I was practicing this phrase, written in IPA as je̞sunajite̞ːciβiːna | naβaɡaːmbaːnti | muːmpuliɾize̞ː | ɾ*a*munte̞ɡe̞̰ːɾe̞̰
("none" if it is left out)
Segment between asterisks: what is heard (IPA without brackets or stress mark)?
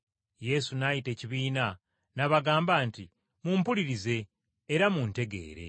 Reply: a